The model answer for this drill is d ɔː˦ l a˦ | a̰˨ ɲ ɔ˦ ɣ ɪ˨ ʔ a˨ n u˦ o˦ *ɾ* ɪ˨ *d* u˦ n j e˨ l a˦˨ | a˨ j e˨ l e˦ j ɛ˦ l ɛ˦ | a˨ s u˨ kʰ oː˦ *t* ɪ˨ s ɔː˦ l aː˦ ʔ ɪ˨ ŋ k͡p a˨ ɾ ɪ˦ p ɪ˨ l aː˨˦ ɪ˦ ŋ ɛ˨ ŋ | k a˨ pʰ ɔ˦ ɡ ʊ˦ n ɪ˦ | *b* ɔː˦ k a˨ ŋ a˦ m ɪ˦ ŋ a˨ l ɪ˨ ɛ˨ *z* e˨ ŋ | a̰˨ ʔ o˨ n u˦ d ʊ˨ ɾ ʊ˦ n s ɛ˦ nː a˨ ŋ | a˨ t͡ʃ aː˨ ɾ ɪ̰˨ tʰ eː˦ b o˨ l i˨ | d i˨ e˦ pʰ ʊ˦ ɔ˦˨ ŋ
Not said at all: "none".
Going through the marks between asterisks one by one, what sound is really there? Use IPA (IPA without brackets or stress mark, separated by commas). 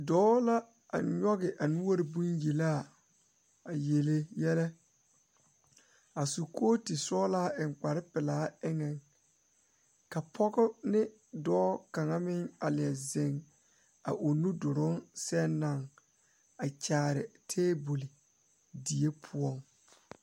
ɾ, b, t, d, z